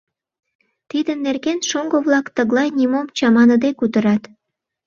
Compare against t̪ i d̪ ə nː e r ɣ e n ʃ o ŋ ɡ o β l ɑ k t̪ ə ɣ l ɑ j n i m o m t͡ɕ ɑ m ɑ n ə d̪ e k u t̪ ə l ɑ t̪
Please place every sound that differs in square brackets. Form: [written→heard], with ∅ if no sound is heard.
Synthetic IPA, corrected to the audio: t̪ i d̪ ə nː e r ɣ e n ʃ o ŋ ɡ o β l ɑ k t̪ ə ɣ l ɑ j n i m o m t͡ɕ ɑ m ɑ n ə d̪ e k u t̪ ə [l→ɾ] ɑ t̪